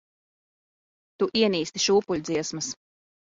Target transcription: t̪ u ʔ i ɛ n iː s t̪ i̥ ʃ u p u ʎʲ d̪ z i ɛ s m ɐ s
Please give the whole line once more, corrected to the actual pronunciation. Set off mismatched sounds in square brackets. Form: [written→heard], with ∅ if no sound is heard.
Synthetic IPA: t̪ u ʔ i ɛ n iː s t̪ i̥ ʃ [u→uː] p u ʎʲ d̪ z i ɛ s m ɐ s

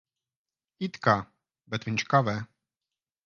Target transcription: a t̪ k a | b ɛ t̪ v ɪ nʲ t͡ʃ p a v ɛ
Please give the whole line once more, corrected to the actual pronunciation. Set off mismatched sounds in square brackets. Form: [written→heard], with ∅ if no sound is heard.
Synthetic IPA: [a→i] t̪ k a | b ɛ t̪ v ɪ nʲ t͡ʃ [p→k] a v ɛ

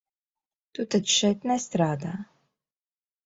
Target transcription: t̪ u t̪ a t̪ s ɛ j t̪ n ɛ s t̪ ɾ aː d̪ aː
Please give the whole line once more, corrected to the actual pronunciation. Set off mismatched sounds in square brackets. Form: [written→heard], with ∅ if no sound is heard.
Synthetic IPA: t̪ u t̪ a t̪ [s→ʃ] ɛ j t̪ n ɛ s t̪ ɾ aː d̪ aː

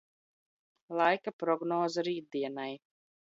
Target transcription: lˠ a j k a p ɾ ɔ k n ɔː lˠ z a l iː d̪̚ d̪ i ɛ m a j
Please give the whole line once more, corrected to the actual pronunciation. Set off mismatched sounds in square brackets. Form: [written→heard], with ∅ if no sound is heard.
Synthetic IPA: lˠ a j k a p ɾ ɔ [k→ɡ] n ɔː [lˠ→∅] z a [l→ɾ] iː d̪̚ d̪ i ɛ [m→n] a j

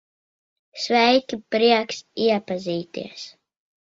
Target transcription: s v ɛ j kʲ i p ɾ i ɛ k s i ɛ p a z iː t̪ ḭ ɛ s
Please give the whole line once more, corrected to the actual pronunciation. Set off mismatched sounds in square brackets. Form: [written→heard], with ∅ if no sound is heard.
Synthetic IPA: s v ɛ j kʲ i p ɾ i ɛ k s i ɛ p a z iː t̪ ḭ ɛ s

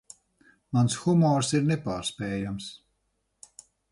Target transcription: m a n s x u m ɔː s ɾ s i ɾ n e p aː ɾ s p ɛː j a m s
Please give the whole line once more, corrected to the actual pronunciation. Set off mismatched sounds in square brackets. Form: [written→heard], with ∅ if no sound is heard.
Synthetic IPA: m a n s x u m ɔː [s→∅] ɾ s i ɾ n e p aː ɾ s p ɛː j a m s

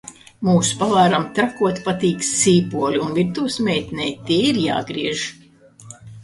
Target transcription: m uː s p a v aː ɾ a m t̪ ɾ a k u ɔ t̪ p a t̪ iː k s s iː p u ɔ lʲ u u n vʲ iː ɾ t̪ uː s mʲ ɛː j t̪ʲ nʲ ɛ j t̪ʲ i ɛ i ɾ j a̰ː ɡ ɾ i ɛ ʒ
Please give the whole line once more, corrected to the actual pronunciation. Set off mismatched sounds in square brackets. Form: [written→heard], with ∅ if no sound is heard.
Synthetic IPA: m uː s p a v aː ɾ a m t̪ ɾ a k u ɔ t̪ p a t̪ iː k s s iː p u ɔ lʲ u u n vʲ [iː→i] ɾ t̪ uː s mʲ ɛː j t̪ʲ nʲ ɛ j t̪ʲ i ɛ i ɾ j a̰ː ɡ ɾ i ɛ ʒ

